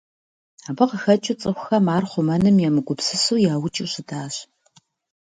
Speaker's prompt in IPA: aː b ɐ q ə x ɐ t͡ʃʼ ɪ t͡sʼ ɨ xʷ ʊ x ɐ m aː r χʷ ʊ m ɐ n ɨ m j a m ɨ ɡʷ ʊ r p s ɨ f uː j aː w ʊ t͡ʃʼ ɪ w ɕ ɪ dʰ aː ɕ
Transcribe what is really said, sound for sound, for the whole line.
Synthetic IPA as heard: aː b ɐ q ə x ɐ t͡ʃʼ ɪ t͡sʼ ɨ xʷ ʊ x ɐ m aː r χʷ ʊ m ɐ n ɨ m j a m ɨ ɡʷ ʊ p s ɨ s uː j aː w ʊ t͡ʃʼ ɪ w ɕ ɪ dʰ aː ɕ